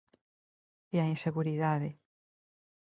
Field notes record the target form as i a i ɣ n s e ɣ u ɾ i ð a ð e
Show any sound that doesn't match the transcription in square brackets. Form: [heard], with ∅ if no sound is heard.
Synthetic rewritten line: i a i [∅] n s e ɣ u ɾ i ð a ð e